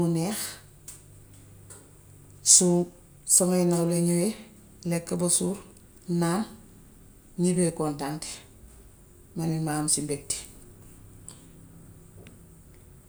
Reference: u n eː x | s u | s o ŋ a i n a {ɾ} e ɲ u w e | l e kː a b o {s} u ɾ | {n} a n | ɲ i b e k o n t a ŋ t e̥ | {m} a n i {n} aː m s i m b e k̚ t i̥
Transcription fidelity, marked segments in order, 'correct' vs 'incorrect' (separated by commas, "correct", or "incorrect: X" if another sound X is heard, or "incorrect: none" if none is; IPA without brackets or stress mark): incorrect: l, correct, correct, correct, incorrect: m